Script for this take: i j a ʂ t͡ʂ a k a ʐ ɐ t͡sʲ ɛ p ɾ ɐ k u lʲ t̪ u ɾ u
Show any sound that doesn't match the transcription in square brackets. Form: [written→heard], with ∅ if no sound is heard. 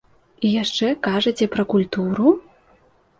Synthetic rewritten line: i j a ʂ t͡ʂ [a→ɛ] k a ʐ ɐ t͡sʲ ɛ p ɾ ɐ k u lʲ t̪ u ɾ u